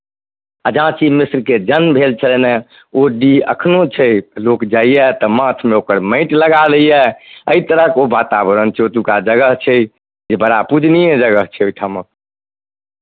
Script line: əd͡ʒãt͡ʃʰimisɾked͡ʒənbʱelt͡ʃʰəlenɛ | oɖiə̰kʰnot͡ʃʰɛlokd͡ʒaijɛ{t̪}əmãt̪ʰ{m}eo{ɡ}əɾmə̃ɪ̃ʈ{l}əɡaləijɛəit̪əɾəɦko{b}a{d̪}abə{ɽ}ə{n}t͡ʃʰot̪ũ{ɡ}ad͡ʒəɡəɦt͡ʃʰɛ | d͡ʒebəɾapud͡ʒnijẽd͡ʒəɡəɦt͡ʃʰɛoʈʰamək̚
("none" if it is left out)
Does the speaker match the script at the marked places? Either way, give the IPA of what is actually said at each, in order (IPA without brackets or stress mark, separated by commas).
t̪, m, k, l, b, t̪, ɾ, n, k